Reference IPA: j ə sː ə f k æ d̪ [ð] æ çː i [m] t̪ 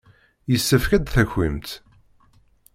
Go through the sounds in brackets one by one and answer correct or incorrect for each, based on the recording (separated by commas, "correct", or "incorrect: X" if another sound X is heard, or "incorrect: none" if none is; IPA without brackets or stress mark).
incorrect: θ, correct